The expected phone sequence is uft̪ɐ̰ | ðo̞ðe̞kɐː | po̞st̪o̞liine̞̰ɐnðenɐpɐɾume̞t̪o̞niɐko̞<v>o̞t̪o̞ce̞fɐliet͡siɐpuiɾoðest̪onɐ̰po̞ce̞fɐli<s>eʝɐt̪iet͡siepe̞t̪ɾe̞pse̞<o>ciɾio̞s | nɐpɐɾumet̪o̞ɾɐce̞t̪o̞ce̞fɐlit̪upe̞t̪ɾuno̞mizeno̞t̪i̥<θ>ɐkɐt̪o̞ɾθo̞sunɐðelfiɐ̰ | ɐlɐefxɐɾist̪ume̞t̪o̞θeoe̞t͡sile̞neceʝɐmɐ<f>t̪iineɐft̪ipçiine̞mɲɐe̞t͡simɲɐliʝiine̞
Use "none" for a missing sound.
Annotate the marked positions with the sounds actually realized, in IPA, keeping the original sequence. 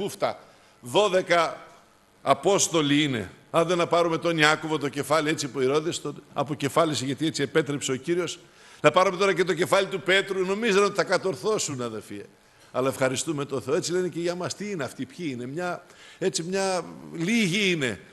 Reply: v, s, o, θ, s

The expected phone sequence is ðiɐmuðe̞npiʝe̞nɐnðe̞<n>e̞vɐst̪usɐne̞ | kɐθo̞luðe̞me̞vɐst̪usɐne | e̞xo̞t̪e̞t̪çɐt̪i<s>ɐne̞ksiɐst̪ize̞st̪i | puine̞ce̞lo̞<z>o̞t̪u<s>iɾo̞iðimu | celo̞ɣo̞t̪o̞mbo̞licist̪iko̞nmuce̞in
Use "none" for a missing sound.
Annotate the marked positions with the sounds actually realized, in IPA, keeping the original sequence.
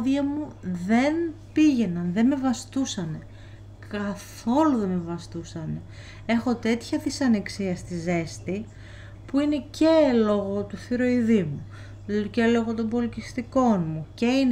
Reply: m, s, ɣ, θ

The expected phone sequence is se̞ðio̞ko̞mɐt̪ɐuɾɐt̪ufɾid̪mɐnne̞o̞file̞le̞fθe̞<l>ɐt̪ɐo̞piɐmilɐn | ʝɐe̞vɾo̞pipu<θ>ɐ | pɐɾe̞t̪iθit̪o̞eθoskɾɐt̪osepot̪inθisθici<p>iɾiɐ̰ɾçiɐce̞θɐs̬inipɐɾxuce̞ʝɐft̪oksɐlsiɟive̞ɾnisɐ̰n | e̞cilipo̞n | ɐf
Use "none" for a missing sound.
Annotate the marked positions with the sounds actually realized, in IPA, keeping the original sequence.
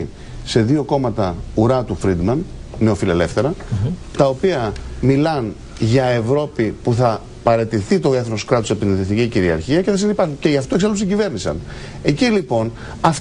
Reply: ɾ, θ, c

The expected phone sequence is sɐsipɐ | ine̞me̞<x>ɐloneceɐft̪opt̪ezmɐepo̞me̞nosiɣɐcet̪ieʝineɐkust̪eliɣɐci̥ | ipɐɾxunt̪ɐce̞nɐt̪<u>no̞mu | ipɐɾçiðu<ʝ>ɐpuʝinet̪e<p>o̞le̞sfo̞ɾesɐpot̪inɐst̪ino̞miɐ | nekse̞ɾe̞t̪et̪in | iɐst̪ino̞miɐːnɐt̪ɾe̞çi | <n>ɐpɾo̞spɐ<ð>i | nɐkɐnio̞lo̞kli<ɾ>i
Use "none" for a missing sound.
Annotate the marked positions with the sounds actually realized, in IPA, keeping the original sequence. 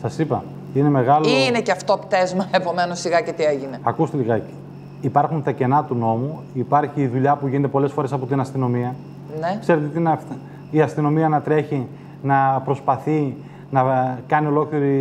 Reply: ɣ, u, ʎ, p, n, θ, ɾ

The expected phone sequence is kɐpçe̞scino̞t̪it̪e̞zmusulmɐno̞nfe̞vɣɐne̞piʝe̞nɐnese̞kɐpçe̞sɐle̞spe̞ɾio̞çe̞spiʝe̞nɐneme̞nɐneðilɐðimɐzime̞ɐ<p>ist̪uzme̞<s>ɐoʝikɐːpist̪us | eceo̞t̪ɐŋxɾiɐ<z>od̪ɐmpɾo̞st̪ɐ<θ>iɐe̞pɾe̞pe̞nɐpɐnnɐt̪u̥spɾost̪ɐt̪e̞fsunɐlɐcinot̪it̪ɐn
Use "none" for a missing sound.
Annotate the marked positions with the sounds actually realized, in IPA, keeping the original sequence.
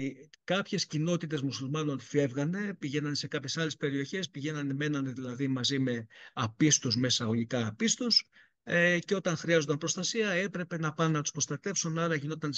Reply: p, s, z, s

